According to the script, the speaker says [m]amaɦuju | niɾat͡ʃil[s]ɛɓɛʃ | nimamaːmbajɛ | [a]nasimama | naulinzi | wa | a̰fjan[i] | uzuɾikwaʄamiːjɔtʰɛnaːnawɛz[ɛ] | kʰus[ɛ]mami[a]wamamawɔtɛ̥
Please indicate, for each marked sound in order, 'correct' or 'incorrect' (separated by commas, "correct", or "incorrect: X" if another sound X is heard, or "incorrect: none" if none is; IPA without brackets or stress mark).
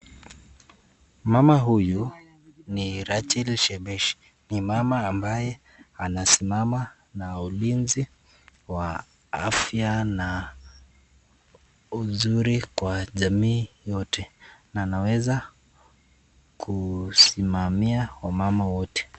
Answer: correct, incorrect: ʃ, correct, incorrect: a, incorrect: a, incorrect: i, correct